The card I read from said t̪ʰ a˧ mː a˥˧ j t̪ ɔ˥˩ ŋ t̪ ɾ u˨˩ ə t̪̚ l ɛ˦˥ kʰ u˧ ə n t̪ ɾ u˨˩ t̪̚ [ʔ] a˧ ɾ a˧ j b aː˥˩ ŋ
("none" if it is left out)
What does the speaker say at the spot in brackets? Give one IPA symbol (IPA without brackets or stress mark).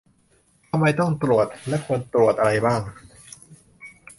ʔ